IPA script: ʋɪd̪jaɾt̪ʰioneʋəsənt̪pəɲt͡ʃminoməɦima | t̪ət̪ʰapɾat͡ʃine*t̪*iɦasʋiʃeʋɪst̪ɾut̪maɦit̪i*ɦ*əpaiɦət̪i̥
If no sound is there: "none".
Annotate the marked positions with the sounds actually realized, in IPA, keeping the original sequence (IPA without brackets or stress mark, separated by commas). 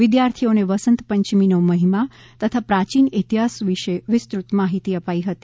t̪, none